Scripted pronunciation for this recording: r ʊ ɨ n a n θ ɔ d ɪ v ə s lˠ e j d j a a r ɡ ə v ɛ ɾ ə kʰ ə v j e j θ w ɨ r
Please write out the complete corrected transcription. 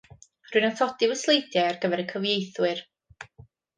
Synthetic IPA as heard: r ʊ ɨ n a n θ ɔ d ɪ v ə s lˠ e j d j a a r ɡ ə v ɛ ɾ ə kʰ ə v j e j θ w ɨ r